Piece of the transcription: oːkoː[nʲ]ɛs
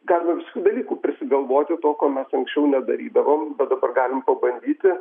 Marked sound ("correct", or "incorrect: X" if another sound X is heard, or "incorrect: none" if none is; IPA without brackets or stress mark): incorrect: mʲ